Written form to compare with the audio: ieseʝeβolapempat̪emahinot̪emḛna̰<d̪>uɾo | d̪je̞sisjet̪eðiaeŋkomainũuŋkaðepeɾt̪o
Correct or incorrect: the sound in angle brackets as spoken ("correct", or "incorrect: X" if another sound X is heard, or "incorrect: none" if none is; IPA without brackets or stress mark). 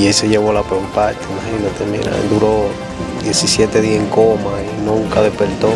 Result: correct